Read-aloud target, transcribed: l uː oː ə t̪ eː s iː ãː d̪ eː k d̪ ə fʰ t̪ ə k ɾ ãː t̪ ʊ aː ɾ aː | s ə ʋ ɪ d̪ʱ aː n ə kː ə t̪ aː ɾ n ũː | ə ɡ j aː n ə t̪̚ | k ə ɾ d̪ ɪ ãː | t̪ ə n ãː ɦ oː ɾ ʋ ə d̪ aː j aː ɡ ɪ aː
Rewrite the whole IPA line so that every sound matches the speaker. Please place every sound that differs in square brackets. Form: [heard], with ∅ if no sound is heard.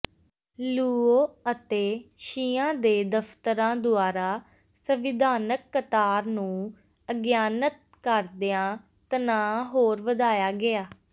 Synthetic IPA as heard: l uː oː ə t̪ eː [ʃ] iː ãː d̪ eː [∅] d̪ ə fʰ t̪ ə [∅] ɾ ãː [d̪] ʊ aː ɾ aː | s ə ʋ ɪ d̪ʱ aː n ə kː ə t̪ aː ɾ n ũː | ə ɡ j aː n ə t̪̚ | k ə ɾ d̪ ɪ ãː | t̪ ə n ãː ɦ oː ɾ ʋ ə d̪ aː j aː ɡ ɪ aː